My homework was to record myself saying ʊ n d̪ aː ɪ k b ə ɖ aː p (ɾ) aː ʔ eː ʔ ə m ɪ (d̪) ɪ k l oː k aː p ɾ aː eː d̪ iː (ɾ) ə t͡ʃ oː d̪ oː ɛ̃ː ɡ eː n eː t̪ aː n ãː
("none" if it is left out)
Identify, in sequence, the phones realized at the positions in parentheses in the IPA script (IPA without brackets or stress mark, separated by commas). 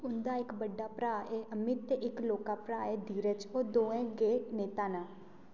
ɾ, t̪, ɾ